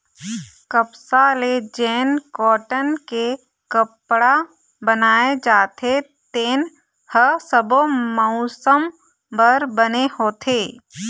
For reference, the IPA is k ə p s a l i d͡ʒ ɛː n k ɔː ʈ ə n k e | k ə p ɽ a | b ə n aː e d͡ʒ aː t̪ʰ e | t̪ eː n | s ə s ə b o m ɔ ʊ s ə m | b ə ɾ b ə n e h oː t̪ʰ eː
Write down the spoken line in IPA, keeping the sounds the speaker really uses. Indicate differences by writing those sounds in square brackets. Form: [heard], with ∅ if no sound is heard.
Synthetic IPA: k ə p s a l [e] d͡ʒ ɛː n k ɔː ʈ ə n k e | k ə p ɽ a | b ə n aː e d͡ʒ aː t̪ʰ e | t̪ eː n | [h] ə s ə b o m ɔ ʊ s ə m | b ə ɾ b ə n e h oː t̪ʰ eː

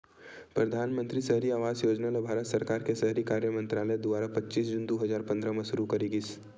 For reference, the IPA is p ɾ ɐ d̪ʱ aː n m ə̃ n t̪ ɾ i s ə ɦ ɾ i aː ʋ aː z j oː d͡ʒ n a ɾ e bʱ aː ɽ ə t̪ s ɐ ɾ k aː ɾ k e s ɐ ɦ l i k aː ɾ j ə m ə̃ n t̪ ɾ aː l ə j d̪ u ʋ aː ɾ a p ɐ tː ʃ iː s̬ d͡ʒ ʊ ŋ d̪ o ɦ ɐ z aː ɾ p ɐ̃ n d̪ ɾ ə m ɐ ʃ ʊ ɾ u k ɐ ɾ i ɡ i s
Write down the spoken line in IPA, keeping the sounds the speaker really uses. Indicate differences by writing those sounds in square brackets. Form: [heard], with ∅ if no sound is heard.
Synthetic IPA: p ɾ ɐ d̪ʱ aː n m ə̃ n t̪ ɾ i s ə ɦ ɾ i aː ʋ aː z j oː d͡ʒ n a [l] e bʱ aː [ɾ] ə t̪ s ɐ ɾ k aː ɾ k e s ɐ ɦ [ɾ] i k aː ɾ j ə m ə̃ n t̪ ɾ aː l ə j d̪ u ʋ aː ɾ a p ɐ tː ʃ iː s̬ d͡ʒ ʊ [n] d̪ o ɦ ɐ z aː ɾ p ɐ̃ n d̪ ɾ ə m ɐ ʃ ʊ ɾ u k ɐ ɾ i ɡ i s

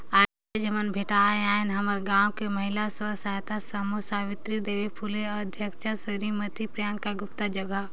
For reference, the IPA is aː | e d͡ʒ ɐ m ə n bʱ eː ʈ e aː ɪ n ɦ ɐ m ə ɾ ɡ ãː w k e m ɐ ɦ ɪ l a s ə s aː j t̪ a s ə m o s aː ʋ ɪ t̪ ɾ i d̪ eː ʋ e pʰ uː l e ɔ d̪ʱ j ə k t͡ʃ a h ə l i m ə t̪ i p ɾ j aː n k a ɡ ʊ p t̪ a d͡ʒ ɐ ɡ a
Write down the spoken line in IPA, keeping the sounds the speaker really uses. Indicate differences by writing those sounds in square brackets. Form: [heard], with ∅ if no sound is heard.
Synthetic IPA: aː | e d͡ʒ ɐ m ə n bʱ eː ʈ [a] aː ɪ n ɦ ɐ m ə ɾ ɡ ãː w k e m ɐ ɦ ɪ l a s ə s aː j t̪ a s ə m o s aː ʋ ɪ t̪ ɾ i d̪ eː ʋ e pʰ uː l e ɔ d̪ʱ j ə k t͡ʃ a [s] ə [ɾ] i m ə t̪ i p ɾ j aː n k a ɡ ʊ p t̪ a d͡ʒ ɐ ɡ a

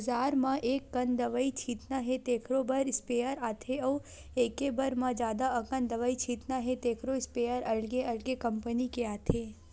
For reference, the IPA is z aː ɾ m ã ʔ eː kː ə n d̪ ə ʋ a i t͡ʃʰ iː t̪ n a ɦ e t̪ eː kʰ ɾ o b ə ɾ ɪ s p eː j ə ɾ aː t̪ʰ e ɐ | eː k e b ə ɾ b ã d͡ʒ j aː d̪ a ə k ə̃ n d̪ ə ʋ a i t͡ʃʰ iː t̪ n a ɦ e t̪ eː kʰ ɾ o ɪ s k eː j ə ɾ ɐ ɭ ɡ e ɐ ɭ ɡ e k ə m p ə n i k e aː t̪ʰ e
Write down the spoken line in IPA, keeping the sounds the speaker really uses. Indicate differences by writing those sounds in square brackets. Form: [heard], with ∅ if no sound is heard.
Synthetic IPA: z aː ɾ m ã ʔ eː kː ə n d̪ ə ʋ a i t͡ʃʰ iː t̪ n a ɦ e t̪ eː kʰ ɾ o b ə ɾ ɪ s p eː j ə ɾ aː t̪ʰ e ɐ | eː k e b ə ɾ [m] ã d͡ʒ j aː d̪ a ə k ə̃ n d̪ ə ʋ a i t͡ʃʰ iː t̪ n a ɦ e t̪ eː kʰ ɾ o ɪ s [p] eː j ə ɾ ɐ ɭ ɡ e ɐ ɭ ɡ e k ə m p ə n i k e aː t̪ʰ e

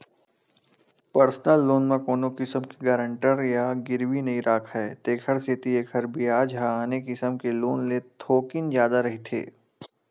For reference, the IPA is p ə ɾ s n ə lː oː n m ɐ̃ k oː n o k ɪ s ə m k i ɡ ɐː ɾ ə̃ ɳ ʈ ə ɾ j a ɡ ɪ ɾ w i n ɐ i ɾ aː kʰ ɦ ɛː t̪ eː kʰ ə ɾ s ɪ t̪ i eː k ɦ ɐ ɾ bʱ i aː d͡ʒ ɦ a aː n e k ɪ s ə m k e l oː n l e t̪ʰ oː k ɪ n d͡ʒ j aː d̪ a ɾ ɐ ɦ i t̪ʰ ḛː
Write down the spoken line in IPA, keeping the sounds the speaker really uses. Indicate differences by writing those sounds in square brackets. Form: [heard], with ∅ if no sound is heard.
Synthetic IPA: p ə ɾ s n ə lː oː n m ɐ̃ k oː n o k ɪ s ə m k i ɡ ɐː ɾ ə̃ ɳ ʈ ə ɾ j a ɡ ɪ ɾ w i n ɐ i ɾ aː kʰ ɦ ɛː t̪ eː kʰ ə ɾ s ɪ t̪ i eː k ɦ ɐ ɾ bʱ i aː d͡ʒ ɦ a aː n e k ɪ s ə m k e l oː n l e t̪ʰ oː k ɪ n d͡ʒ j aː d̪ a ɾ ɐ ɦ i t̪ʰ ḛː

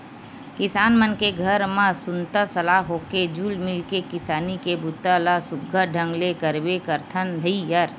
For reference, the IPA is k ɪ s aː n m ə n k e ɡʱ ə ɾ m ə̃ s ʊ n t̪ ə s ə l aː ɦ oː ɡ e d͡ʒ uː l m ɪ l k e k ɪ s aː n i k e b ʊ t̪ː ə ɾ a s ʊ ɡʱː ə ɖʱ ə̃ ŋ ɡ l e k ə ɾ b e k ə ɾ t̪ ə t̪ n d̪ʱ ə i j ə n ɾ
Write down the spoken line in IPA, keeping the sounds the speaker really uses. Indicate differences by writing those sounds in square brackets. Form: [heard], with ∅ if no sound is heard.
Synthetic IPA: k ɪ s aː n m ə n k e ɡʱ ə ɾ m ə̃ s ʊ n t̪ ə s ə l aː ɦ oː [k] e d͡ʒ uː l m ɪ l k e k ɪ s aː n i k e b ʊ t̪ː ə [l] a s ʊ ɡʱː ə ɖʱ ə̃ ŋ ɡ l e k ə ɾ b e k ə ɾ [t̪ʰ] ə [∅] n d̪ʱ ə i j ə [∅] ɾ

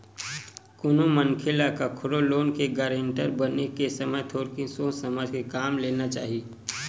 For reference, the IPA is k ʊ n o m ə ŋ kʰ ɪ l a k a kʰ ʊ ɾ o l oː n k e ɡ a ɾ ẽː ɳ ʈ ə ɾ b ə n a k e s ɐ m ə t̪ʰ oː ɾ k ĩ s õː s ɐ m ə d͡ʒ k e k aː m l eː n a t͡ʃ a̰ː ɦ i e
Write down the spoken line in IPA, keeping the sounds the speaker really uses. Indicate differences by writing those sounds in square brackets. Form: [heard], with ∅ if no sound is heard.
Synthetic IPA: k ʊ n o m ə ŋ kʰ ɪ l a k a kʰ ʊ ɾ o l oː n k e ɡ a ɾ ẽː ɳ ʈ ə ɾ b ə n [e] k e s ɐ m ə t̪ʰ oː ɾ k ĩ s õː s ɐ m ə d͡ʒ k e k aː m l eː n a t͡ʃ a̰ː ɦ i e

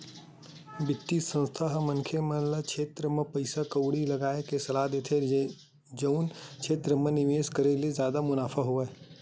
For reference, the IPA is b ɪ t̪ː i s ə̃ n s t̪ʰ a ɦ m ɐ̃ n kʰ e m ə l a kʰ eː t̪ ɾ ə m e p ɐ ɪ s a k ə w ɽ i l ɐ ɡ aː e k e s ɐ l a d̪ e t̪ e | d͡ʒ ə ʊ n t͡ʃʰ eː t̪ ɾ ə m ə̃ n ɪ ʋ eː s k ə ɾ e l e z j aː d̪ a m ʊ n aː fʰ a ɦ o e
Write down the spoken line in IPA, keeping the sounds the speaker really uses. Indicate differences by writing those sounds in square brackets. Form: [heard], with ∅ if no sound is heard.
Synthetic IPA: b ɪ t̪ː i s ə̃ n s t̪ʰ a ɦ m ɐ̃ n kʰ e m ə l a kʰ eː t̪ ɾ ə m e p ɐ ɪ s a k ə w ɽ i l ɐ ɡ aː e k e s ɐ l a d̪ e [t̪ʰ] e | d͡ʒ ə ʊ n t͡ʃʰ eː t̪ ɾ ə m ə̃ n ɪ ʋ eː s k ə ɾ e l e z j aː d̪ a m ʊ n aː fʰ a ɦ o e

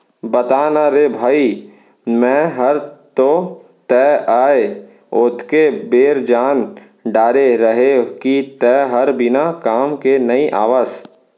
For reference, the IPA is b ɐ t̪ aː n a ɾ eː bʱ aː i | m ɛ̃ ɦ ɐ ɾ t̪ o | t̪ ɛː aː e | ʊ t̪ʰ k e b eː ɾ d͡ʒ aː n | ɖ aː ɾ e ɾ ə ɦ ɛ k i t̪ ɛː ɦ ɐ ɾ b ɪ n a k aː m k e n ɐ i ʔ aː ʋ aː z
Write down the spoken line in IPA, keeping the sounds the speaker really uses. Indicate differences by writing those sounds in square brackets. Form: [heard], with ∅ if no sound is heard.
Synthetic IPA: b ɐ t̪ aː n a ɾ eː bʱ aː i | m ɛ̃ ɦ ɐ ɾ t̪ o | t̪ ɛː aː e | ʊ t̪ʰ k e b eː ɾ d͡ʒ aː n | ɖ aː ɾ e ɾ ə ɦ [e] k i t̪ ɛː ɦ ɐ ɾ b ɪ n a k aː m k e n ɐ i ʔ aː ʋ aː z

